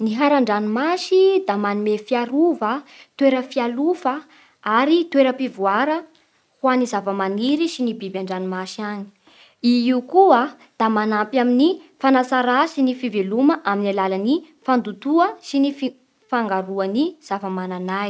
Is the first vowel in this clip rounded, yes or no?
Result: no